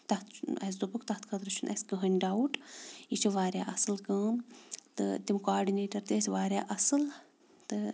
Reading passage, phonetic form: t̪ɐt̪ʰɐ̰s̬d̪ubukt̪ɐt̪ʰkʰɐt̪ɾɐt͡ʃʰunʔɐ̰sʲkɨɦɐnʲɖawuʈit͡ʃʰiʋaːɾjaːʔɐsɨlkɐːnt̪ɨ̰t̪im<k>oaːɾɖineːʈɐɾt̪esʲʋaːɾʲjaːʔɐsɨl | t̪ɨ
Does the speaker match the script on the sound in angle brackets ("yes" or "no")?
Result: yes